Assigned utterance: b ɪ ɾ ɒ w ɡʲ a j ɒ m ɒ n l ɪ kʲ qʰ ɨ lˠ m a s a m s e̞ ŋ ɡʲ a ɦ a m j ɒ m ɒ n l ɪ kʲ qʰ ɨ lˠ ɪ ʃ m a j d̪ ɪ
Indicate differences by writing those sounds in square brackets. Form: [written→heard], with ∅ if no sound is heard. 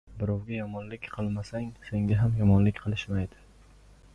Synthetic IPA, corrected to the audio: b ɪ ɾ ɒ w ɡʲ a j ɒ m ɒ n l ɪ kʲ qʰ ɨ lˠ m a s a [m→ŋ] s e̞ ŋ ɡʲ a ɦ a m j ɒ m ɒ n l ɪ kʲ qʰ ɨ lˠ ɪ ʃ m a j d̪ ɪ